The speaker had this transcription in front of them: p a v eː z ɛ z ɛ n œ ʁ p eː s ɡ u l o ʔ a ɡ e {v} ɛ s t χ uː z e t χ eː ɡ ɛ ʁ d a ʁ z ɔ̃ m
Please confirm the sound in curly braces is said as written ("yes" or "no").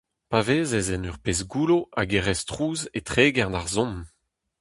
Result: no